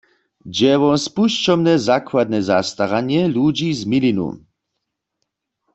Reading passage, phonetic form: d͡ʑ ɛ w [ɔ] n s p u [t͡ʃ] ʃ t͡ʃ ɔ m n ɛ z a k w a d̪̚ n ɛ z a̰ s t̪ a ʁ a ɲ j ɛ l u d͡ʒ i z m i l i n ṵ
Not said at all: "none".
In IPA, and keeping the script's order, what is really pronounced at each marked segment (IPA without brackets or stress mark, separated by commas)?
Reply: ɔ, none